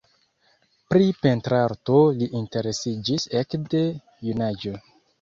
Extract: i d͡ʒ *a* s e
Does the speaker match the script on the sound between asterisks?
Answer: no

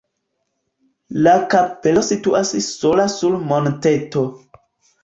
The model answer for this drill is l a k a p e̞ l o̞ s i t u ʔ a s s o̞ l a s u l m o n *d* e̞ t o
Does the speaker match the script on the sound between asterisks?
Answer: no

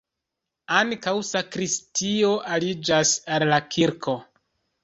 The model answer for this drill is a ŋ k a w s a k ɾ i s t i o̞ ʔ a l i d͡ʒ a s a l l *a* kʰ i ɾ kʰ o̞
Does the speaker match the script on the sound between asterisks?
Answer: yes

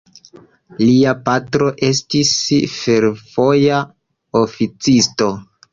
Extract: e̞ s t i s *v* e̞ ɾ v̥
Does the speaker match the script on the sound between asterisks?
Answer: no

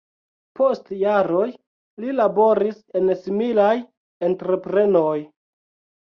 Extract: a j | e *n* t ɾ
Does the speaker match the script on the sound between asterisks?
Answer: yes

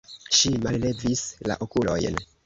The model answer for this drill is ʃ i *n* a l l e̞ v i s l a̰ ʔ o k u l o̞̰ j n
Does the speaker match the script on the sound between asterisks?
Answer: no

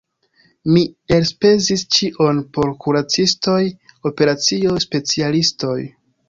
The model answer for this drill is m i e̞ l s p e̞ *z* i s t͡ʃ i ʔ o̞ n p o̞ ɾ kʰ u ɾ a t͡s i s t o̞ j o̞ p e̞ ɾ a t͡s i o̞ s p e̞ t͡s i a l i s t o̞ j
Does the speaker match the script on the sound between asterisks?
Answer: yes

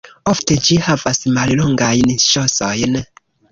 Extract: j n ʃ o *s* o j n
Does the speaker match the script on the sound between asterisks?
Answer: yes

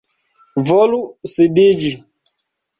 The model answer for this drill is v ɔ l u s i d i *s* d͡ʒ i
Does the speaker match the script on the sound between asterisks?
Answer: no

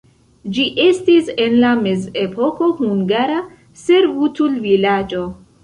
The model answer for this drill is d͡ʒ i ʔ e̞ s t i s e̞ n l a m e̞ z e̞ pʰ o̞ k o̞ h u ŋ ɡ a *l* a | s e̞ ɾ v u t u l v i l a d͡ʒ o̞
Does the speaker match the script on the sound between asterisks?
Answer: no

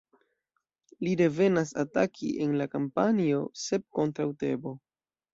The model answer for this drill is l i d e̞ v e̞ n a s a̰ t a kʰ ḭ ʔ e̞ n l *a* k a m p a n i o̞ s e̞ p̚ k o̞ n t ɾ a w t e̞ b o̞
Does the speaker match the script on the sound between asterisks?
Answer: yes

